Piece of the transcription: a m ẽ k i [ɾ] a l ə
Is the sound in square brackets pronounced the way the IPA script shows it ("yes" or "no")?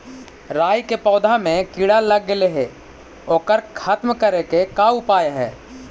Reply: no